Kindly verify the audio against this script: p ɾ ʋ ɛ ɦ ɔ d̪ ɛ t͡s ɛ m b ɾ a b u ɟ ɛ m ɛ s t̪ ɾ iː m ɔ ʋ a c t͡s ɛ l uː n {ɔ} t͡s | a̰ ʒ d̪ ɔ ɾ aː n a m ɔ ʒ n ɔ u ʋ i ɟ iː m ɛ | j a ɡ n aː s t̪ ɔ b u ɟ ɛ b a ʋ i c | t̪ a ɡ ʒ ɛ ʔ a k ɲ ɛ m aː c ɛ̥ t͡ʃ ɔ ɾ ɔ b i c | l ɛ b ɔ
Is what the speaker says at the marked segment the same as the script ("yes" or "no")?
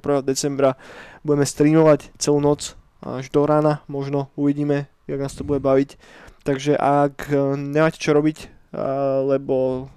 yes